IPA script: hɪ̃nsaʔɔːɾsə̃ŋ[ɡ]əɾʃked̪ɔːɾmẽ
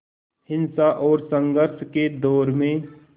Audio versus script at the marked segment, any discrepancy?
no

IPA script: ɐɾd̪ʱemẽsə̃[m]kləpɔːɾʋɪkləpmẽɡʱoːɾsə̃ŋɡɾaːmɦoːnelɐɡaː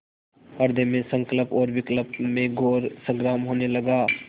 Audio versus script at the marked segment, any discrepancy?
yes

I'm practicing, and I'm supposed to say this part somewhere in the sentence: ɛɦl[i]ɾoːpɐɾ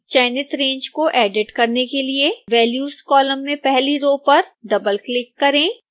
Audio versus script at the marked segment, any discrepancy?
no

